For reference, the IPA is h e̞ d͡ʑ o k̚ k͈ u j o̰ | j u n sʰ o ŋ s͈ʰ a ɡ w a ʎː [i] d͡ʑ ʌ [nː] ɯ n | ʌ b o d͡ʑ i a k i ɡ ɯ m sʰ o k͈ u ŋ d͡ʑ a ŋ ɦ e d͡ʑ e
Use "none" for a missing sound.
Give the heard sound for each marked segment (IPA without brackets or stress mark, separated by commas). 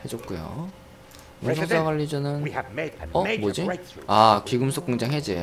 i, n